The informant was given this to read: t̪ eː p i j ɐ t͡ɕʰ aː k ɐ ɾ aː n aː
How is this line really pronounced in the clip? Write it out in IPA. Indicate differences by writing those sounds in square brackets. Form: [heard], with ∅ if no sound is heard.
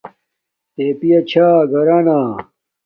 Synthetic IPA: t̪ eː p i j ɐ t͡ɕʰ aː [ɡ] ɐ ɾ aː n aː